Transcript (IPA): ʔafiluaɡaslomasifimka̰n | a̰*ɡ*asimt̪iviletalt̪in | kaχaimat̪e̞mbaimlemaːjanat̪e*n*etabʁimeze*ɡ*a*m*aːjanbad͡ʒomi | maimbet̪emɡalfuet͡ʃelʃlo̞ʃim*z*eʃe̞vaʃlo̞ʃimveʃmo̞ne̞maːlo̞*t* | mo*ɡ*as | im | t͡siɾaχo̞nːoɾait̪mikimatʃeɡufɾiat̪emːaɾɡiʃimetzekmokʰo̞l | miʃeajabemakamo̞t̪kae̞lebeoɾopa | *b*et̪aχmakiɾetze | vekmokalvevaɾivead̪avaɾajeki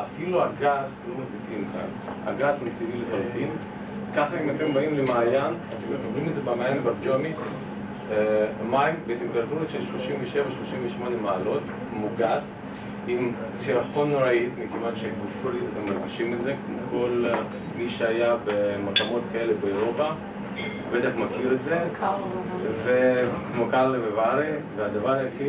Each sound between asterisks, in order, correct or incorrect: correct, incorrect: m, incorrect: b, correct, incorrect: v, correct, correct, correct

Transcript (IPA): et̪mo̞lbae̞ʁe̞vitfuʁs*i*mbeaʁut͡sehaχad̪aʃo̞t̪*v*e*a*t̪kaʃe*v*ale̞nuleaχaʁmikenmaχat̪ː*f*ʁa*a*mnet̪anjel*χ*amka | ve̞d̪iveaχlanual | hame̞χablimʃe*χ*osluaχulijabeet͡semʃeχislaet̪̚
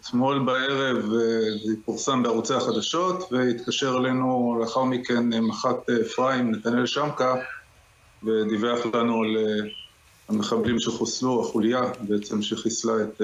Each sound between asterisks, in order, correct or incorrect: incorrect: a, correct, incorrect: i, incorrect: ʁ, correct, incorrect: i, incorrect: ʃ, correct

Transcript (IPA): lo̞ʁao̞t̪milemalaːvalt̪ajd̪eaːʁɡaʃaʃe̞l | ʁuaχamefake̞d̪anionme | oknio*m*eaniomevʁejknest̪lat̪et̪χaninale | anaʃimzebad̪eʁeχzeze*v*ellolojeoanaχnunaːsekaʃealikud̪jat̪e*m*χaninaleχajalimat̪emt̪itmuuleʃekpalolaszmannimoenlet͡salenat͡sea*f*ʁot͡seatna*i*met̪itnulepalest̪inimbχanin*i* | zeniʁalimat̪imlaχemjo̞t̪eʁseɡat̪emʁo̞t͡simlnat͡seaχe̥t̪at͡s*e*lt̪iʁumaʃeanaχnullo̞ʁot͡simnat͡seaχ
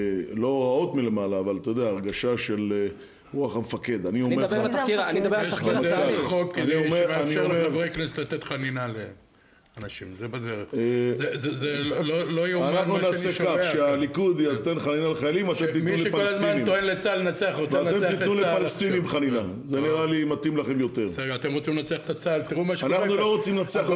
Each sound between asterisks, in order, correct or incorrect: correct, incorrect: z, incorrect: n, incorrect: χ, incorrect: e, incorrect: a, incorrect: a

